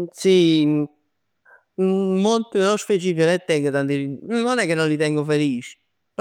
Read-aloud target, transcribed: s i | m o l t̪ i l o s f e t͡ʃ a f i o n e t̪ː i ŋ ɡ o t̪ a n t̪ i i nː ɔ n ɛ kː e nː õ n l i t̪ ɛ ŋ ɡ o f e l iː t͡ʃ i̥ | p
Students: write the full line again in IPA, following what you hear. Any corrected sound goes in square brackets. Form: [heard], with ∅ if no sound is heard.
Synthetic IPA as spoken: s i | m o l t̪ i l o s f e t͡ʃ [i] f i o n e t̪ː [ɛ] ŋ ɡ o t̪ a n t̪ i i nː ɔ n ɛ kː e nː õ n l i t̪ ɛ ŋ ɡ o f e l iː t͡ʃ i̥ | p